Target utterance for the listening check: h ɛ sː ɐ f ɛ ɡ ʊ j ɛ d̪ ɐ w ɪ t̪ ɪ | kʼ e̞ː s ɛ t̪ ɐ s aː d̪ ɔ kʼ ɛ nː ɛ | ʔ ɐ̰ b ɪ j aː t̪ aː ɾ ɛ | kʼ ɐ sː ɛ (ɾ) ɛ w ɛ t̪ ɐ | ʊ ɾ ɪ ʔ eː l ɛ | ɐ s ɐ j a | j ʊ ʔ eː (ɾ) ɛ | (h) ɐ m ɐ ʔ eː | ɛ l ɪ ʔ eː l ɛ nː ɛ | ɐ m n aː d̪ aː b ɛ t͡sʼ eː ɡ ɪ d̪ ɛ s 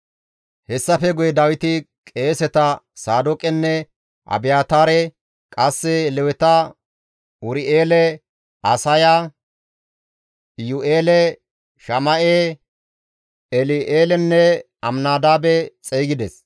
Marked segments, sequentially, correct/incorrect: incorrect: l, incorrect: l, incorrect: ʃ

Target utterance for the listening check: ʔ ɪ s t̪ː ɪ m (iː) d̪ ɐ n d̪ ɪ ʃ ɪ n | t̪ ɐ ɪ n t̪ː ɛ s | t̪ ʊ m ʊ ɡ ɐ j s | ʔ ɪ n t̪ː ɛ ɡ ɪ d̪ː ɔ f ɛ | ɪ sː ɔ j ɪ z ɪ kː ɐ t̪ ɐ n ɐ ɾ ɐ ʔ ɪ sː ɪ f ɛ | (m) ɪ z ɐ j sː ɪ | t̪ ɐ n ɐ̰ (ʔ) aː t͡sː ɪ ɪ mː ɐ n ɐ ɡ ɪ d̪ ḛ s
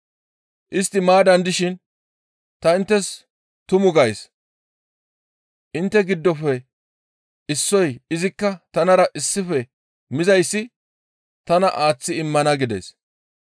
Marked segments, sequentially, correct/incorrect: incorrect: aː, correct, correct

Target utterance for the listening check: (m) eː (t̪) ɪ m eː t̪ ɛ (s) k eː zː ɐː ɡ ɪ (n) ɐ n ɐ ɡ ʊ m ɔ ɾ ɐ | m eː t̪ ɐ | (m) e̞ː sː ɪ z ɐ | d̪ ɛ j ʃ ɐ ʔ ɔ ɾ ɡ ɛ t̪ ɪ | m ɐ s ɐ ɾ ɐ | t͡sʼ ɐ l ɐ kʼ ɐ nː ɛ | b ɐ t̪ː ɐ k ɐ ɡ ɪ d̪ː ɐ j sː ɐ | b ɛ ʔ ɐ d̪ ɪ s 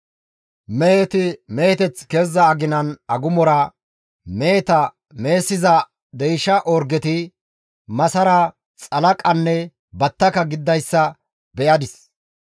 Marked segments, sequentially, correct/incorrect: correct, correct, incorrect: t͡s, correct, correct

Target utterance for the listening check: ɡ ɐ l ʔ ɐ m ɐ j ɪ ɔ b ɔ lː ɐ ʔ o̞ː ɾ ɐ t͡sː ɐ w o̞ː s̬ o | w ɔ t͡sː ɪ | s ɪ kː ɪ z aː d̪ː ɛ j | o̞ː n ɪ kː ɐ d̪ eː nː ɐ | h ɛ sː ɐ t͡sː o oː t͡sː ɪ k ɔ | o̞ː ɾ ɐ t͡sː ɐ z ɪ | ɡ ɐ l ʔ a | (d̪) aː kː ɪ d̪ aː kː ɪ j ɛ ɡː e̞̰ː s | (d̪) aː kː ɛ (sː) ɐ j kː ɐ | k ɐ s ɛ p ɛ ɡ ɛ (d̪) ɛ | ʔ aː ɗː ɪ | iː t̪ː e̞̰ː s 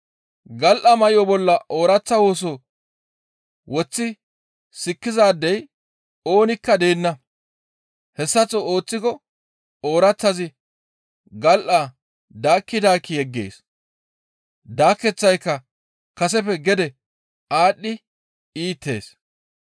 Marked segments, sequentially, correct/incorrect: correct, correct, incorrect: t͡sː, correct

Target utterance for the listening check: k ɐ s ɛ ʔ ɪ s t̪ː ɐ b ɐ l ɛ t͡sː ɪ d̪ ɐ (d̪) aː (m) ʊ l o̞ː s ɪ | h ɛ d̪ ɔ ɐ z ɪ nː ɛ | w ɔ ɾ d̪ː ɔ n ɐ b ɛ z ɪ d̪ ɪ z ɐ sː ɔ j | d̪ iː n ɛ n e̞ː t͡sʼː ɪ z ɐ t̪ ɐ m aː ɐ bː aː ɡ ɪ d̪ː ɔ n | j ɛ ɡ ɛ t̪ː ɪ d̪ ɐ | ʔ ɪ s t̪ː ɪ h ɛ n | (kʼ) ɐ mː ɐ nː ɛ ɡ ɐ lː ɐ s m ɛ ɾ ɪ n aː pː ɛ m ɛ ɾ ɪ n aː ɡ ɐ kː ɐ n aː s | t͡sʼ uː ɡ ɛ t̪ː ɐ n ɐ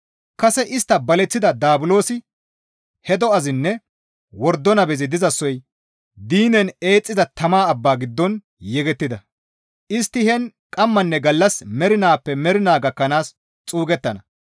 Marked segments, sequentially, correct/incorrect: correct, incorrect: b, correct

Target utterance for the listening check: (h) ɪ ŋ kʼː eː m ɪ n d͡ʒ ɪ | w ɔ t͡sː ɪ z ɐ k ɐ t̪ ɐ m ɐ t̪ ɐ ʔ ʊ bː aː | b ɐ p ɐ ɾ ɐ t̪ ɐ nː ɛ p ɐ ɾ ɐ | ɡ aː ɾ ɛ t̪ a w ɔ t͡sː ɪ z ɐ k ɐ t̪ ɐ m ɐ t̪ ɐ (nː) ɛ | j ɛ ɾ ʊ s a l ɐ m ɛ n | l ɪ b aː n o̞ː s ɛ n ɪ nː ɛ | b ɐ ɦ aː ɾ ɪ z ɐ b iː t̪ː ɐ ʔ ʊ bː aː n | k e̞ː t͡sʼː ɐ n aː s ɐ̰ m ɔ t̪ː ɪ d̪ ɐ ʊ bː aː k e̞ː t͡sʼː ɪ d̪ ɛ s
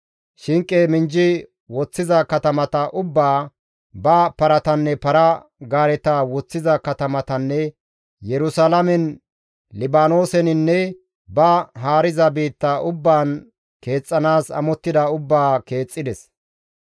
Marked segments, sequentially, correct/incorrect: incorrect: ʃ, correct

